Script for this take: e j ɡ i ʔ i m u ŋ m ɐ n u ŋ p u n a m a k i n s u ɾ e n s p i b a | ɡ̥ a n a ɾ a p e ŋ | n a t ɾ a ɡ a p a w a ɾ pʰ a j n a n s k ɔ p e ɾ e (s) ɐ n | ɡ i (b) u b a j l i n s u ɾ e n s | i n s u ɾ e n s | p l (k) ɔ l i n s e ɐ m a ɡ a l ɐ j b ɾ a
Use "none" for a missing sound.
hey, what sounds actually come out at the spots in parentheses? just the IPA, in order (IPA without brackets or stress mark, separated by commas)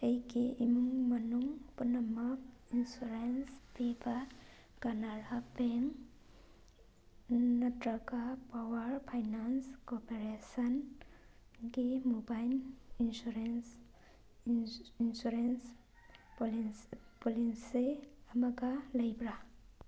s, m, p